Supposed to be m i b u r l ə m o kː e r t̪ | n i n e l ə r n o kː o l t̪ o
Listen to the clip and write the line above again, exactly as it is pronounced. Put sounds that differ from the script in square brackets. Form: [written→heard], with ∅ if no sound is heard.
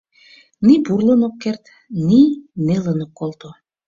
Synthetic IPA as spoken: [m→n] i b u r l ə [m→n] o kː e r t̪ | n i n e l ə [r→∅] n o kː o l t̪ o